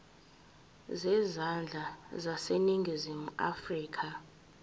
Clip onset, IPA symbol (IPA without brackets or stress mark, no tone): z